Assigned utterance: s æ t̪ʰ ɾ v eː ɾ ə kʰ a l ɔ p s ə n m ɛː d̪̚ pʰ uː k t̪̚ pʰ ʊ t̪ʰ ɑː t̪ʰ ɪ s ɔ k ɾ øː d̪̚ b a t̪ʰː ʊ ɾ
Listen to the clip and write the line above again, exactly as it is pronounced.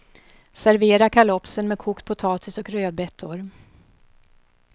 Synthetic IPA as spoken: s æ ɾ v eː ɾ a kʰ a l ɔ p s ə n m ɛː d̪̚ kʰ uː k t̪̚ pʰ ʊ t̪ʰ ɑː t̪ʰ ɪ s ɔ k ɾ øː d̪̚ b ɛ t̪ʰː ʊ ɾ